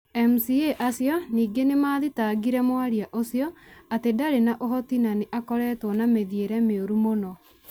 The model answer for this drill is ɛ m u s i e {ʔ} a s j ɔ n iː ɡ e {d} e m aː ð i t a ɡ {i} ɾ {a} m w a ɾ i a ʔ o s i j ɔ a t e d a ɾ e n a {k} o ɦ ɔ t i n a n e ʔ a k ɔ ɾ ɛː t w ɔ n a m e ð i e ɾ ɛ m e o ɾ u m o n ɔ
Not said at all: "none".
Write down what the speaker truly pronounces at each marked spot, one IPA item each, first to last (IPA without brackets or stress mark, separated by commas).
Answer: ʔ, n, i, ɛ, ʔ